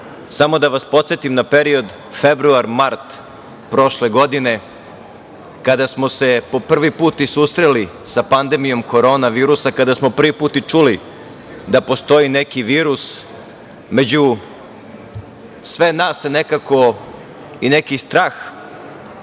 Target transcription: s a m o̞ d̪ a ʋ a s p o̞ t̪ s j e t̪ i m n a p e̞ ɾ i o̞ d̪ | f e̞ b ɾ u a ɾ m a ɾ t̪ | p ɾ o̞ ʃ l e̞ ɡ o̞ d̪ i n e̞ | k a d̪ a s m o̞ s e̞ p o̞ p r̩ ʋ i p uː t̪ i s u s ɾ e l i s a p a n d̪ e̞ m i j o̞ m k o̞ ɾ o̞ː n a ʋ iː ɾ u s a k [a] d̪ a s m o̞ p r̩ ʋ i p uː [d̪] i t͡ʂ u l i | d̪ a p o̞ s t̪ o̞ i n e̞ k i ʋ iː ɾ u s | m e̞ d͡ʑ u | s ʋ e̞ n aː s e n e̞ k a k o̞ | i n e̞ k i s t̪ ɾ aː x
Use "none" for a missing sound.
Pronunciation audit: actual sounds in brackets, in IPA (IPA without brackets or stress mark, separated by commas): a, t̪